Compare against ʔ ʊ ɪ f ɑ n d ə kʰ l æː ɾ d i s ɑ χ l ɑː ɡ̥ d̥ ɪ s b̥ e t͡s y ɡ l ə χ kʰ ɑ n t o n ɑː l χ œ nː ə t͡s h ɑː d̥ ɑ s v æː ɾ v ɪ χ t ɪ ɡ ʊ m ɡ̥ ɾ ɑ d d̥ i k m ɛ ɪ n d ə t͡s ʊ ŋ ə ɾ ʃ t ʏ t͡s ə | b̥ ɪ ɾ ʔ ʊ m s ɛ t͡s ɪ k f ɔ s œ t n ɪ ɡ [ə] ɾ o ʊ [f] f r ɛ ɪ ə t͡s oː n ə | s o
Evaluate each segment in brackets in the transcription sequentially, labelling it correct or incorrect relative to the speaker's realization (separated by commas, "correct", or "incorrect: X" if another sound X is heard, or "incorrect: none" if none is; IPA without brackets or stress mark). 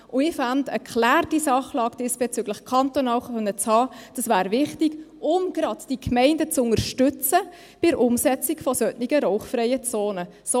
correct, incorrect: χ